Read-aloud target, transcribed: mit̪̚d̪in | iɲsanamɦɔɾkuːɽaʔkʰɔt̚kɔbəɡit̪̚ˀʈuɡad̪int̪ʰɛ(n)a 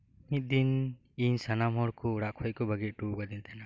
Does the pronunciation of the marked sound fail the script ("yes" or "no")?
no